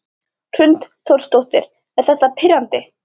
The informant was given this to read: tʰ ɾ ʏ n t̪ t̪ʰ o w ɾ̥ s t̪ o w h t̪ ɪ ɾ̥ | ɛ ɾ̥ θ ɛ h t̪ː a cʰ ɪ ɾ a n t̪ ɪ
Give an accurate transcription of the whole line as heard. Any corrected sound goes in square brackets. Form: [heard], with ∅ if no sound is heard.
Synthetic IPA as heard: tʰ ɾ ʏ n t̪ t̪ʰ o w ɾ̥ s t̪ o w h t̪ ɪ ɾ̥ | ɛ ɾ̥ θ ɛ h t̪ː a [pʰ] ɪ ɾ a n t̪ ɪ